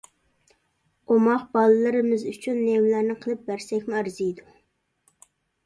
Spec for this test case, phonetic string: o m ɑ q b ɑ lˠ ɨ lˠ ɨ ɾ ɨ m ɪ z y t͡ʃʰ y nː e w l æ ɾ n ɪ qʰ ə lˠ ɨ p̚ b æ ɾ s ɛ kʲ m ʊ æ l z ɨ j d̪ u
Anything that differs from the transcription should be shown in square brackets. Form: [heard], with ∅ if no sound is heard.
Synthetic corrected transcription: o m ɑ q b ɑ lˠ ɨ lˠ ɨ ɾ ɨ m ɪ z y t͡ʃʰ y nː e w l æ ɾ n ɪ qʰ ə lˠ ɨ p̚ b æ ɾ s ɛ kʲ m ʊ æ [ɾ] z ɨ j d̪ u